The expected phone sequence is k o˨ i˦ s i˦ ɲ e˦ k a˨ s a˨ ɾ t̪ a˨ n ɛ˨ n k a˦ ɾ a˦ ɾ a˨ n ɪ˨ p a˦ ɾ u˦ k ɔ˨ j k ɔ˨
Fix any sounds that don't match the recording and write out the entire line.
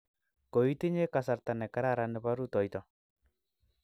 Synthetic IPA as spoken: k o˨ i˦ t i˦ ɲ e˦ k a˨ s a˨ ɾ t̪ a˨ n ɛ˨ k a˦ ɾ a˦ ɾ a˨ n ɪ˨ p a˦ ɾ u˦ t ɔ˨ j t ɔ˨